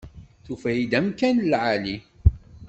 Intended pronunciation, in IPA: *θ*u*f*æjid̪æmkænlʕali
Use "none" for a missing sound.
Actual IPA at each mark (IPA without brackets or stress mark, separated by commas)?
θ, f